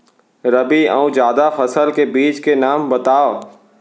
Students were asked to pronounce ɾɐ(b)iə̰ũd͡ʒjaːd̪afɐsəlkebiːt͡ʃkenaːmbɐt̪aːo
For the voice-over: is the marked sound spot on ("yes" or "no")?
yes